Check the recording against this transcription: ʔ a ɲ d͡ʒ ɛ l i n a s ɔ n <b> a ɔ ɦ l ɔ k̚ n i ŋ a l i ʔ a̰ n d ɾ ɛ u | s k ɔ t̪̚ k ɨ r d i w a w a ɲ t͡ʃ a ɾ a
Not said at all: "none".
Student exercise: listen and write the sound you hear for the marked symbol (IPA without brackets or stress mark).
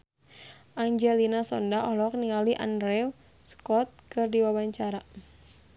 d